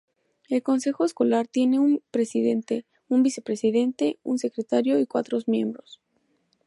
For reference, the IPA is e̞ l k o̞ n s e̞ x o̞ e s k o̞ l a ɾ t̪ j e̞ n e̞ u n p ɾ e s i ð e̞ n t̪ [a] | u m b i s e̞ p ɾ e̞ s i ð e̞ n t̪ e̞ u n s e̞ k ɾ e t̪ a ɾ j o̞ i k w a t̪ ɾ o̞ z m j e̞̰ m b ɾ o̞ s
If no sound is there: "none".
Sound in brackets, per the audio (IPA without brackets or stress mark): e